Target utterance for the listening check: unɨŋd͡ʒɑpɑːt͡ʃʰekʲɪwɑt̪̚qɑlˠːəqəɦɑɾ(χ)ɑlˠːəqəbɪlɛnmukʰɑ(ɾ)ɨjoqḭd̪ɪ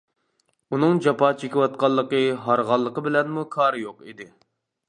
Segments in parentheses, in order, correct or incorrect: incorrect, correct

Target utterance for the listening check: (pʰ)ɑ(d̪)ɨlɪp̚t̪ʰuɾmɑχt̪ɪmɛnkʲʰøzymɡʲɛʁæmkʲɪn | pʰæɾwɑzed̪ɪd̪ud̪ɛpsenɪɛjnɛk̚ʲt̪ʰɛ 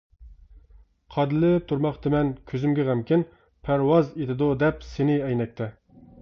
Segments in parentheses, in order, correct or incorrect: incorrect, correct

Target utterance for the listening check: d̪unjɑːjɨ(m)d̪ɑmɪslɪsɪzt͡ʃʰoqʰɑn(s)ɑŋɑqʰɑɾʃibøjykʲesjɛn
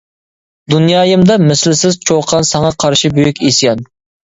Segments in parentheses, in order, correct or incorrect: correct, correct

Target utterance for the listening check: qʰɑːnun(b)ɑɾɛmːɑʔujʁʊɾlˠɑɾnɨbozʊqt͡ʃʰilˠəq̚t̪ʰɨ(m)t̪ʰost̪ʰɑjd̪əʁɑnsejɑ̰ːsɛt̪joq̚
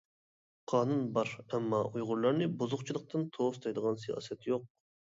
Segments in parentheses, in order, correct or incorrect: correct, incorrect

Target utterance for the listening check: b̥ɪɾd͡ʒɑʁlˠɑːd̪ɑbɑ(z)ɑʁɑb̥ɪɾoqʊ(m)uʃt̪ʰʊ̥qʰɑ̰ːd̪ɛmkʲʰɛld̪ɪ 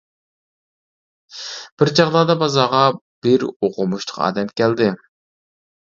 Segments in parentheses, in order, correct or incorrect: correct, correct

